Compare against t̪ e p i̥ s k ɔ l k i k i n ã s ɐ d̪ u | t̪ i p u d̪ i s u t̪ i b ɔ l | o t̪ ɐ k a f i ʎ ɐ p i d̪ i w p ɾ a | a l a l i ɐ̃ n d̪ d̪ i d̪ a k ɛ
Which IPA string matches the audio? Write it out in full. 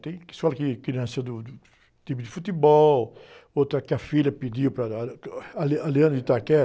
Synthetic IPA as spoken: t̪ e k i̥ s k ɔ l k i k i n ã s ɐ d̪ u | t̪ i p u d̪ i f u t̪ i b ɔ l | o t̪ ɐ k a f i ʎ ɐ p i d̪ i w p ɾ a | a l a l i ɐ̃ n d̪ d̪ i t̪ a k ɛ